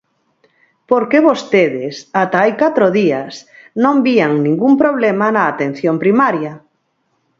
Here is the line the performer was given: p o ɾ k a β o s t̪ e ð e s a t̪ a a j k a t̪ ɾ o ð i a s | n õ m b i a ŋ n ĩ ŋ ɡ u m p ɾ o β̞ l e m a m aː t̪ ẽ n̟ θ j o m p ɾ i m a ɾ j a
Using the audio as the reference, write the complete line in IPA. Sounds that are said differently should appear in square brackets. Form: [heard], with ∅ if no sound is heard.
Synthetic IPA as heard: p o ɾ k [e] β o s t̪ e ð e s a t̪ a a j k a t̪ ɾ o ð i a s | n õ m b i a ŋ n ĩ ŋ ɡ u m p ɾ o β̞ l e m a [n] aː t̪ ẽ n̟ θ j o m p ɾ i m a ɾ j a